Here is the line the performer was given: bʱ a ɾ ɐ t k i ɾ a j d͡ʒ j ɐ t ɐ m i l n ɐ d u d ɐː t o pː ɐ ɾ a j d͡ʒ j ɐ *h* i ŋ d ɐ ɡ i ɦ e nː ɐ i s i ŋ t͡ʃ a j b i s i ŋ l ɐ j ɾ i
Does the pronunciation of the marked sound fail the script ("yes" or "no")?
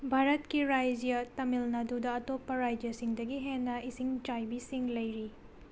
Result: yes